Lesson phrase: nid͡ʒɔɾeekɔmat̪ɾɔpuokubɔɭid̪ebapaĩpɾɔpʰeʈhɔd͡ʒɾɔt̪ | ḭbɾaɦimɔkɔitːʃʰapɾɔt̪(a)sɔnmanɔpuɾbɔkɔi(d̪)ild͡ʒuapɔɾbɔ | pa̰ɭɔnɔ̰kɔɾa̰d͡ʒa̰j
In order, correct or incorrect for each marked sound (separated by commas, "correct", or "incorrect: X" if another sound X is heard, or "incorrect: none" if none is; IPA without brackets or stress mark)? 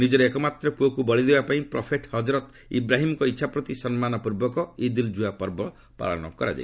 incorrect: i, correct